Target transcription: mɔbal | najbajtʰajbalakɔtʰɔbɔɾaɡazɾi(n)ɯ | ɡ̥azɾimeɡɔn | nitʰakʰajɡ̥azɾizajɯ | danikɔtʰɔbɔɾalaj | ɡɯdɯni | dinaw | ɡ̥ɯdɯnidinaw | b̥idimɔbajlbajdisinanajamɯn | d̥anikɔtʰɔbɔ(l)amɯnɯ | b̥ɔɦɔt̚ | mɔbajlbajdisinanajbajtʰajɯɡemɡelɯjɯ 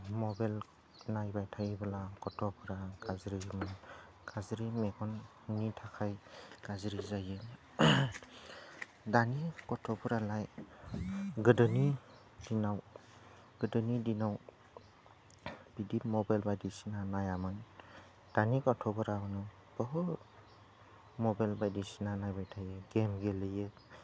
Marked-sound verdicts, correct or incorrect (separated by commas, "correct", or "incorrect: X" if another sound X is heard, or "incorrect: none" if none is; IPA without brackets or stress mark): incorrect: m, incorrect: ɾ